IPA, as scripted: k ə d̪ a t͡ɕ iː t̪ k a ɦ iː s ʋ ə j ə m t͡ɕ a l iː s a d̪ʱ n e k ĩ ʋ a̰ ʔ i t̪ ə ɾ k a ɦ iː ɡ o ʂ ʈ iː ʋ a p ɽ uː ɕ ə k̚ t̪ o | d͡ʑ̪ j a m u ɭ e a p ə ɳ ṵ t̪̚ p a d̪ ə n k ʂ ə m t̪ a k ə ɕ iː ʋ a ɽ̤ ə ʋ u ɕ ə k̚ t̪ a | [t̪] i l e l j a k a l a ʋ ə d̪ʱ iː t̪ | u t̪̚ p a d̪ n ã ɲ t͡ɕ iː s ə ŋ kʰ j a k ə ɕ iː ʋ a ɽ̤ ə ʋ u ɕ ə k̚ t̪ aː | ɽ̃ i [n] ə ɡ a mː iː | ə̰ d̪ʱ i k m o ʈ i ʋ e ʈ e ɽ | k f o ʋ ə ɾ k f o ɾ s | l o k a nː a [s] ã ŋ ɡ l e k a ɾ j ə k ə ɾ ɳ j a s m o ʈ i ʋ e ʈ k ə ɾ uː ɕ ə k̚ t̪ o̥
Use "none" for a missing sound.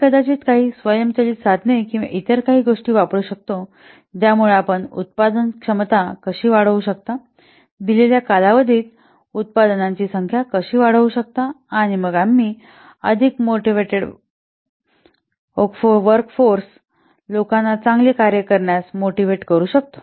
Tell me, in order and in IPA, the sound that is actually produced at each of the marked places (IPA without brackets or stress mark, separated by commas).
d̪, m, t͡s